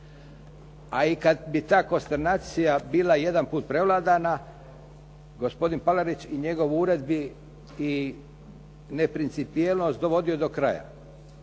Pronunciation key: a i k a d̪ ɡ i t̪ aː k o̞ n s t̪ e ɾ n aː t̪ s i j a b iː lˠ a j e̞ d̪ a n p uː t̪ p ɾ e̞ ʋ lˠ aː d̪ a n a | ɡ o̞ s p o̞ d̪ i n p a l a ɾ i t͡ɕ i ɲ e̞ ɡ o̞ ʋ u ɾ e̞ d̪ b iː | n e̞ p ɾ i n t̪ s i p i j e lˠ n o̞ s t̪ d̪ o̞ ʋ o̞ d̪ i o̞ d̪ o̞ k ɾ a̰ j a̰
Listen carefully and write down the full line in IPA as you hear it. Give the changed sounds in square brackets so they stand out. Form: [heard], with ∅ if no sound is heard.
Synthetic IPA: a i k a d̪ [b] i t̪ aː k o̞ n s t̪ e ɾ n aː t̪ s i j a b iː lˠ a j e̞ d̪ a n p uː t̪ p ɾ e̞ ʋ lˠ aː d̪ a n a | ɡ o̞ s p o̞ d̪ i n p a l a ɾ i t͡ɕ i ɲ e̞ ɡ o̞ ʋ u ɾ e̞ d̪ b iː | n e̞ p ɾ i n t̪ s i p i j e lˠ n o̞ s t̪ d̪ o̞ ʋ o̞ d̪ i o̞ d̪ o̞ k ɾ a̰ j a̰